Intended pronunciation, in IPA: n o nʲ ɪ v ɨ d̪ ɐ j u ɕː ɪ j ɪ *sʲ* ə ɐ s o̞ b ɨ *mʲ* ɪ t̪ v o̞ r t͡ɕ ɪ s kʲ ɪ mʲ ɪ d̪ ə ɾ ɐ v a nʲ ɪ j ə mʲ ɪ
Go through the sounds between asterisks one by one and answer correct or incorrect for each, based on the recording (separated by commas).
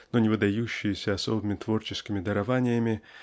correct, correct